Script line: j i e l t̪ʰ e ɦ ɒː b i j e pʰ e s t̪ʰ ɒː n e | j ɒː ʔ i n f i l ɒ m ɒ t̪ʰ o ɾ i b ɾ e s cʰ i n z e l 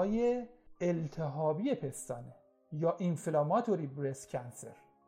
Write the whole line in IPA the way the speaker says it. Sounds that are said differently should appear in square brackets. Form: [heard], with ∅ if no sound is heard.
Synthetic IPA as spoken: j [e] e l t̪ʰ e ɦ ɒː b i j e pʰ e s [t̪] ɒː n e | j ɒː ʔ i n f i l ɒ m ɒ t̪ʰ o ɾ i b ɾ e s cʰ [æ] n [s] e [ɾ]